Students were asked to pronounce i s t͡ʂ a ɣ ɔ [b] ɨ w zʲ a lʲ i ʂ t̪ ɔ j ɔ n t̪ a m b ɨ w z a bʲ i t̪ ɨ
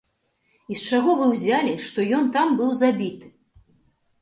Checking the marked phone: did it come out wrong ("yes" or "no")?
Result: yes